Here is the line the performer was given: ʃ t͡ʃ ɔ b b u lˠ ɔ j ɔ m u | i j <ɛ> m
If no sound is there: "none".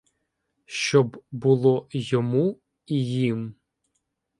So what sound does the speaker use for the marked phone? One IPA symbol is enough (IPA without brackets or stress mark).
i